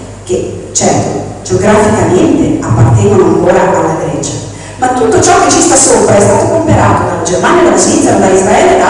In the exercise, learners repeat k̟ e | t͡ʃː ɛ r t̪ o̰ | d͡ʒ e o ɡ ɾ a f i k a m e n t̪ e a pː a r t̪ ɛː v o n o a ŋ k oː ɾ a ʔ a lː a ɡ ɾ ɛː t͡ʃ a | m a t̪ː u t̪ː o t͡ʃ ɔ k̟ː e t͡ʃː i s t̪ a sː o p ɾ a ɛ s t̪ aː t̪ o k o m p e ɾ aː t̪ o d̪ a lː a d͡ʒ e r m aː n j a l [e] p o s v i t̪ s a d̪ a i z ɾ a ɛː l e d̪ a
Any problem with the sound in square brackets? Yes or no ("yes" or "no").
yes